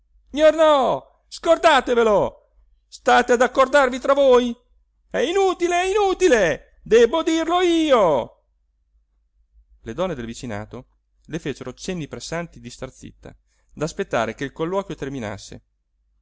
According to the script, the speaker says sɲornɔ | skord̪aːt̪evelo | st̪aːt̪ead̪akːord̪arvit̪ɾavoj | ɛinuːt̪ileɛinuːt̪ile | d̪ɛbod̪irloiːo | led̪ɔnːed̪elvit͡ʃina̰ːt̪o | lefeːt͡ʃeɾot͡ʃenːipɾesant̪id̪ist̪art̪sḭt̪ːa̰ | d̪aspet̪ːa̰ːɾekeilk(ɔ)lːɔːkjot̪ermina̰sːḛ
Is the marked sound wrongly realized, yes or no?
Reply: yes